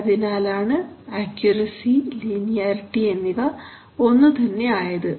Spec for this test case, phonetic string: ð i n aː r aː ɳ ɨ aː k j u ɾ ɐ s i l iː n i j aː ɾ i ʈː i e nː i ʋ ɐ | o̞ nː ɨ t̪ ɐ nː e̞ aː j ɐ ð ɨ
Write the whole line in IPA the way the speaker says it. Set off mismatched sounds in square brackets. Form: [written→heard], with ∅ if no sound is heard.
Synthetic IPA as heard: ð i n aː [r→l] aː ɳ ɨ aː k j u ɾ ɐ s i l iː n i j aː ɾ i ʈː i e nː i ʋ ɐ | o̞ nː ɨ t̪ ɐ nː e̞ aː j ɐ ð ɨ